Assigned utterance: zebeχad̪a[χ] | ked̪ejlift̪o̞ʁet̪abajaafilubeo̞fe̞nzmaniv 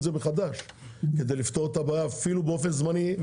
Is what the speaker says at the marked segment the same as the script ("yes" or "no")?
no